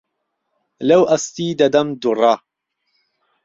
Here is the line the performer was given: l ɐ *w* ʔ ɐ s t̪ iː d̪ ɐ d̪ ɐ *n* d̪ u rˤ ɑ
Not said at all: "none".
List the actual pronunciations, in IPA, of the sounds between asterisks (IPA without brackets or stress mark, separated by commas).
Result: w, m